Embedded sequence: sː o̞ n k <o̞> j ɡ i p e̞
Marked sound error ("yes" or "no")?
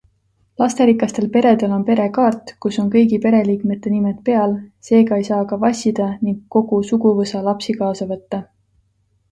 yes